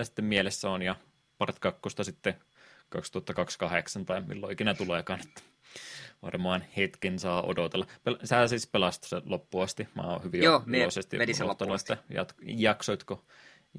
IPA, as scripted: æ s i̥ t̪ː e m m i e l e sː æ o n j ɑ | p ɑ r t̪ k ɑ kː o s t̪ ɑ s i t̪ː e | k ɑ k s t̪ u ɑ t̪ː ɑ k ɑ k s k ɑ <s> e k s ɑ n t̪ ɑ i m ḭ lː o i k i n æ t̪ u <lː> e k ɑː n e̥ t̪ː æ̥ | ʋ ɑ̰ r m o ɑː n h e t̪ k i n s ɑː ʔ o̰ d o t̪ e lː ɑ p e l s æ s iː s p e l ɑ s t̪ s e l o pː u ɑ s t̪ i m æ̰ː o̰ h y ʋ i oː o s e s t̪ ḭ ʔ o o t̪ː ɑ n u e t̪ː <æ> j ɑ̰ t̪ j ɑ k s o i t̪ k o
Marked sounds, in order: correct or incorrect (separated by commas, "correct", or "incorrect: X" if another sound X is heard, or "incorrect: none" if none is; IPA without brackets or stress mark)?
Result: incorrect: h, incorrect: l, correct